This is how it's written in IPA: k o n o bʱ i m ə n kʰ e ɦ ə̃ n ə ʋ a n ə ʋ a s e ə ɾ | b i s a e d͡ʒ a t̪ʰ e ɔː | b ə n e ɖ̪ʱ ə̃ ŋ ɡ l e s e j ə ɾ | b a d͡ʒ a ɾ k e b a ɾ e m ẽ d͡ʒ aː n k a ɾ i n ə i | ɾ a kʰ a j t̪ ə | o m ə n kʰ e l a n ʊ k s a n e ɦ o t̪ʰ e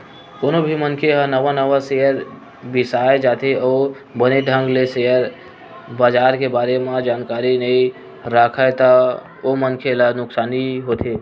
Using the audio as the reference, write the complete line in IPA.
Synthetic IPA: k o n o bʱ i m ə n kʰ e ɦ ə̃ n ə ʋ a n ə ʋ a s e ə ɾ | b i s a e d͡ʒ a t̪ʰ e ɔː | b ə n e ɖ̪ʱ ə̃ ŋ ɡ l e s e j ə ɾ | b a d͡ʒ a ɾ k e b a ɾ e m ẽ d͡ʒ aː n k a ɾ i n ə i | ɾ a kʰ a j t̪ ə | o m ə n kʰ e l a n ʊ k s a n i ɦ o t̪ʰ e